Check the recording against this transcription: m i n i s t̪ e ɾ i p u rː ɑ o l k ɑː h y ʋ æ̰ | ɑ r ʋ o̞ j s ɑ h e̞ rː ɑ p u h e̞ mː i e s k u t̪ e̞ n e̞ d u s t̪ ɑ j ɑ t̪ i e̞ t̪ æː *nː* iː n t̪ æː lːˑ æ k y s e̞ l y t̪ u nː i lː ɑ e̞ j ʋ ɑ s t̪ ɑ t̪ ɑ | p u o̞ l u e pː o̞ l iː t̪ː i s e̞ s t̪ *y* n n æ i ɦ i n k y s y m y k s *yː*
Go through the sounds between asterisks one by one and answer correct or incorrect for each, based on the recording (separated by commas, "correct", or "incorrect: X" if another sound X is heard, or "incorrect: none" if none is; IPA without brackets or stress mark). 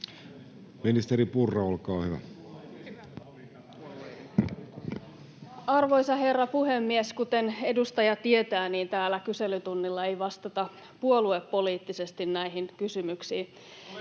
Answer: incorrect: n, incorrect: i, incorrect: iː